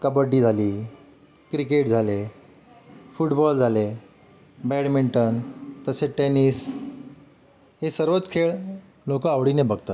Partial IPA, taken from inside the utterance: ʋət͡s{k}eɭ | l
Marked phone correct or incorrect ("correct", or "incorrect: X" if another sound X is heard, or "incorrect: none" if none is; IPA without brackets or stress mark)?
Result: incorrect: kʰ